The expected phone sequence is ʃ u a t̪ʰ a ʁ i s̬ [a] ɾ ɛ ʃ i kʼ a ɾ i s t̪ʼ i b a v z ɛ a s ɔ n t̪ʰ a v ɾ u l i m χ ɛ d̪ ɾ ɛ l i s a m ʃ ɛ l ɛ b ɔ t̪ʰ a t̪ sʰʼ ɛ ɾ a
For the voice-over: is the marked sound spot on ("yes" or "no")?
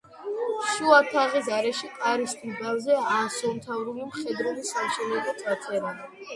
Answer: yes